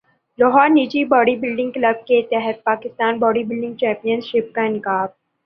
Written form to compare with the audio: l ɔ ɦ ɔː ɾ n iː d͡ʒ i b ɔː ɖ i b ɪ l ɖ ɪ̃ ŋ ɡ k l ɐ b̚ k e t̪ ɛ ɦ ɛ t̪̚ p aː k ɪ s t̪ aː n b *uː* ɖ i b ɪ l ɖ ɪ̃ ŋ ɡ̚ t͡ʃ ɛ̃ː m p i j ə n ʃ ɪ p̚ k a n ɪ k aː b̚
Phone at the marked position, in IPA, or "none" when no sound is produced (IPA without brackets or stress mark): ɔː